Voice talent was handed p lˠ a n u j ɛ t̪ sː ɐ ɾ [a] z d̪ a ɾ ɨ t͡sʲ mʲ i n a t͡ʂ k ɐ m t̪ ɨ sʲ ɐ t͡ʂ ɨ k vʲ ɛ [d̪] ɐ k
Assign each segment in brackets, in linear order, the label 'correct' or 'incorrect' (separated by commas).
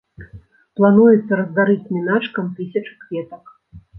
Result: incorrect, incorrect